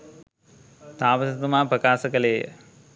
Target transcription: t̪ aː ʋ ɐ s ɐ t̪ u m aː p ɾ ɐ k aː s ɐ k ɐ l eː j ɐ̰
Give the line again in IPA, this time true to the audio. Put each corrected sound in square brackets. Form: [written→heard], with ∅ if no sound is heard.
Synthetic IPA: t̪ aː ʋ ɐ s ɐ t̪ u m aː p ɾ ɐ k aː s ɐ k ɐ l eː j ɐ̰